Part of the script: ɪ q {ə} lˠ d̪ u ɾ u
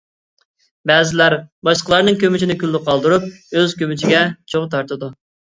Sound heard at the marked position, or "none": ɑ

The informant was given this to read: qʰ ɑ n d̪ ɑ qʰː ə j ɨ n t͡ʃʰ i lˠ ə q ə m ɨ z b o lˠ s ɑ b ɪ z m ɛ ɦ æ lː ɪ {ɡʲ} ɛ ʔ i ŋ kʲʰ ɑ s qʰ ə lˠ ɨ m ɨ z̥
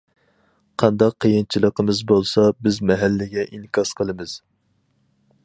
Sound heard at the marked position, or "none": ɡʲ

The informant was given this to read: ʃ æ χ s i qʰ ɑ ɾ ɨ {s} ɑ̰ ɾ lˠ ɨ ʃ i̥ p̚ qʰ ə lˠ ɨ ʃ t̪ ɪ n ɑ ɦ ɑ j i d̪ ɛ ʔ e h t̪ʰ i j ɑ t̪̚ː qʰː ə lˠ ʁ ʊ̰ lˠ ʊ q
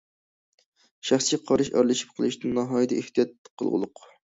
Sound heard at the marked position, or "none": ʃ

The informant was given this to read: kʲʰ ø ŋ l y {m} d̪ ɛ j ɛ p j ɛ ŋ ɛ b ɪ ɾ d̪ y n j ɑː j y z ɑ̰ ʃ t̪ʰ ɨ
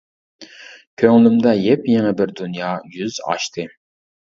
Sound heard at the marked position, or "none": m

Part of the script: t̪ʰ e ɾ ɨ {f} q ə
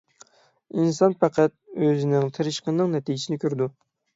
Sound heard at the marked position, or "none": ʃ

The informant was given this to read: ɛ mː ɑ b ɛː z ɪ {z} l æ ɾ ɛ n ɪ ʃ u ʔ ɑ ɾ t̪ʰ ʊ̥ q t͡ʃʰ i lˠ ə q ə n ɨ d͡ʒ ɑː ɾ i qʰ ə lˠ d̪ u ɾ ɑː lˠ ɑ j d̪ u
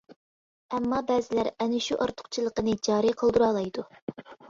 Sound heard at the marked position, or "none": none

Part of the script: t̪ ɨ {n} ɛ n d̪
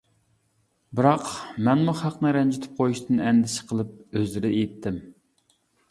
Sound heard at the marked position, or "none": n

